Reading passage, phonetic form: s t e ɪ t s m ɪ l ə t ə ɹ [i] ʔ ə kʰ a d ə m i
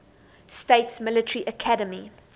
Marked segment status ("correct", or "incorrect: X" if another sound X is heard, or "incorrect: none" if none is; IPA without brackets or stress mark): correct